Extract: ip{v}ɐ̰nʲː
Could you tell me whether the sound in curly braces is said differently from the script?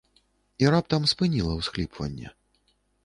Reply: no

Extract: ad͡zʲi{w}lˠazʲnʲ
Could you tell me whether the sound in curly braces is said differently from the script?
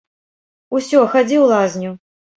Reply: no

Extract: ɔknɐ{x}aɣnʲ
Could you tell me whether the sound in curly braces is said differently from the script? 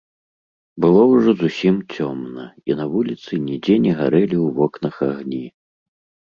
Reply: no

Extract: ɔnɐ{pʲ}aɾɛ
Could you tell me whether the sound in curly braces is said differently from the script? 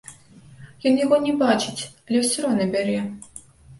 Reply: yes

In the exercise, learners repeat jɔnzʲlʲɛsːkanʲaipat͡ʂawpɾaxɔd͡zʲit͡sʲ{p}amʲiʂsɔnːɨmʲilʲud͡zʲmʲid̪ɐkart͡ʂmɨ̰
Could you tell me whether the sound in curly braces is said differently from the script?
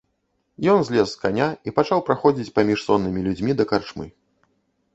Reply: no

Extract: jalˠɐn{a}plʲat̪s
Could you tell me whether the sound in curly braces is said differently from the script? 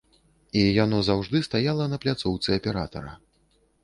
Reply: yes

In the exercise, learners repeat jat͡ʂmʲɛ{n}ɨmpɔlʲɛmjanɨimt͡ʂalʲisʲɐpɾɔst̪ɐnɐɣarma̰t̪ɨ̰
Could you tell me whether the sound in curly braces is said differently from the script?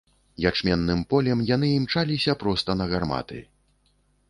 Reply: yes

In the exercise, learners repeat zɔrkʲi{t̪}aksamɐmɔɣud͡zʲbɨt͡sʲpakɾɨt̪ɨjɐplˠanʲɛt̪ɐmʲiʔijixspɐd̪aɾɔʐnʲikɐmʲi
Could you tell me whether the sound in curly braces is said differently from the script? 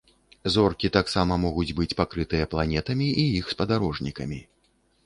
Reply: no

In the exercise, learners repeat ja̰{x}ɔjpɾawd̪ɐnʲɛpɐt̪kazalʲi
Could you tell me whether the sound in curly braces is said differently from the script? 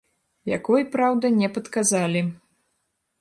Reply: yes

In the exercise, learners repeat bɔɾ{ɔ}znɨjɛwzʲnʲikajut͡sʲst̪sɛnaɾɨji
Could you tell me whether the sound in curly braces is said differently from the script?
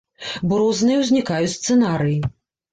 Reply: no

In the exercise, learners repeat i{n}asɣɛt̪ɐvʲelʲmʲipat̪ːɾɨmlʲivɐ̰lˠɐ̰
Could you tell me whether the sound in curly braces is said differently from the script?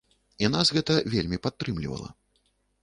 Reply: no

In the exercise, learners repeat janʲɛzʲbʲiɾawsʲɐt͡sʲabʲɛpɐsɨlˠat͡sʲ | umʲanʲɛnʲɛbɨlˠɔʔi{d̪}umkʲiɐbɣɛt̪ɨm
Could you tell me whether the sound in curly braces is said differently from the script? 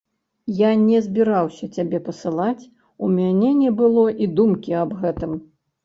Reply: no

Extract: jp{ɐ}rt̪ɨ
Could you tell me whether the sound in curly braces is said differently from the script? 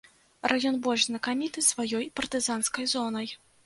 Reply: no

